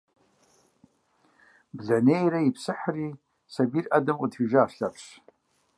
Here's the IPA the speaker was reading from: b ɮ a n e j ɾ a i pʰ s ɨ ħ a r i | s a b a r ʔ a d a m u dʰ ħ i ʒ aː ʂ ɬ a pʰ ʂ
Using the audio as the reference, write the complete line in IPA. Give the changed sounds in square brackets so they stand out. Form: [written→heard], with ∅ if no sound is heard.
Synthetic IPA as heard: b ɮ a n e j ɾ a i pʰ s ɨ ħ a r i | s a b [a→i] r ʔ a d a m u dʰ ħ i ʒ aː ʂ ɬ a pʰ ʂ